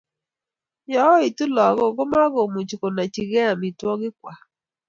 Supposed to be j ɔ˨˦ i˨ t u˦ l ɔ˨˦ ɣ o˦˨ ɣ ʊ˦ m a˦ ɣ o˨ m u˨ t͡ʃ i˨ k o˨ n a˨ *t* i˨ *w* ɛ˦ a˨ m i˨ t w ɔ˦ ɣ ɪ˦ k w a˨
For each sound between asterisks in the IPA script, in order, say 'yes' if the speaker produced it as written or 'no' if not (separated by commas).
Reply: no, no